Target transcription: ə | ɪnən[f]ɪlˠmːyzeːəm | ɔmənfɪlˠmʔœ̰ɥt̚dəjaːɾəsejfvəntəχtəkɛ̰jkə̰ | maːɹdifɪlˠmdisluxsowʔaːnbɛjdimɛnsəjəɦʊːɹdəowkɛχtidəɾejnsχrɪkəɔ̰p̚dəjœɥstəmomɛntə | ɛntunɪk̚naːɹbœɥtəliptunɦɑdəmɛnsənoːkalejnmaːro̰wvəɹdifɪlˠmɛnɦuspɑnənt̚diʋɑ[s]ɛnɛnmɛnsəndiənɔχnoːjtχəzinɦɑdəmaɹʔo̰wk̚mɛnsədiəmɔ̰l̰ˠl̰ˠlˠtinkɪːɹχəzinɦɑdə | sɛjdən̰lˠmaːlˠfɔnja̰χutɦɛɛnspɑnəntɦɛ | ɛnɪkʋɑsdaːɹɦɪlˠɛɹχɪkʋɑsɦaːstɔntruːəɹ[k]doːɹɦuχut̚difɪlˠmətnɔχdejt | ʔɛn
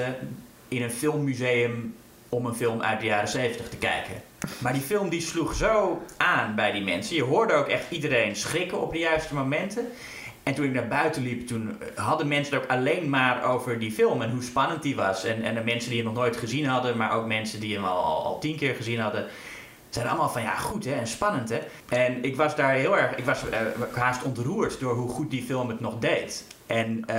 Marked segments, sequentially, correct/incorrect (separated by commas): correct, correct, incorrect